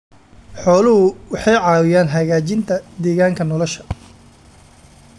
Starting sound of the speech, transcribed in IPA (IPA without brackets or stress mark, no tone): ħ